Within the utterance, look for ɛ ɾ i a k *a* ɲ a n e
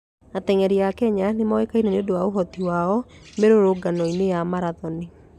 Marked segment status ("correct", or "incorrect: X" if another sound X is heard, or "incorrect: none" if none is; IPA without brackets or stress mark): incorrect: ɛ